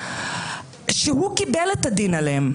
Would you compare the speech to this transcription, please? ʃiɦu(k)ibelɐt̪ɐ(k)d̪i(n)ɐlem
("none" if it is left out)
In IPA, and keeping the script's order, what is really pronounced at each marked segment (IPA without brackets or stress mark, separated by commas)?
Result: k, none, n